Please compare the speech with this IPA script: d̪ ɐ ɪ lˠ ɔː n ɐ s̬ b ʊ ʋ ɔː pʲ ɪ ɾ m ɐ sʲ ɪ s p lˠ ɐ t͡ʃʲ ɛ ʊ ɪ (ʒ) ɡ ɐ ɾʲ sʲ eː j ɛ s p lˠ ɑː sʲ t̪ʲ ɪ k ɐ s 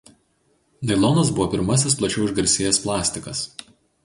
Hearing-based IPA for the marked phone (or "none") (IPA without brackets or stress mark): ʒ